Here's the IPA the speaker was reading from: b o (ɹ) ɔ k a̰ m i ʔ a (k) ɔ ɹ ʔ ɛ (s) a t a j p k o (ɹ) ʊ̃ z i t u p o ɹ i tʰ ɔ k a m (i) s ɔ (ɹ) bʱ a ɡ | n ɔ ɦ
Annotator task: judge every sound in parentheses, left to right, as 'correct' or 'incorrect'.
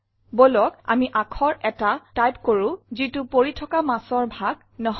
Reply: incorrect: l, incorrect: kʰ, incorrect: t, correct, incorrect: a, correct

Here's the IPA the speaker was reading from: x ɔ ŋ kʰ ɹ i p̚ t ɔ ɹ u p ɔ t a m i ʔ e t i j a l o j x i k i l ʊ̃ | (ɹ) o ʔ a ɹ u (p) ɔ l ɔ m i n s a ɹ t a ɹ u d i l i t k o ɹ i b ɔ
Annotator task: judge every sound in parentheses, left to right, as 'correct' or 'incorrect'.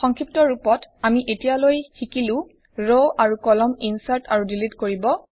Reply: correct, incorrect: k

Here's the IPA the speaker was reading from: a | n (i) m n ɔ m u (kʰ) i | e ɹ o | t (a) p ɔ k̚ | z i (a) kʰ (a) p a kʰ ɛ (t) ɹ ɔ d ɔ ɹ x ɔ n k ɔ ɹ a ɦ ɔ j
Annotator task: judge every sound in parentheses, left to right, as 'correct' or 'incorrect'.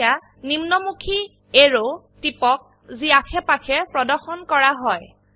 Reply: correct, correct, incorrect: i, correct, incorrect: ɛ, incorrect: p

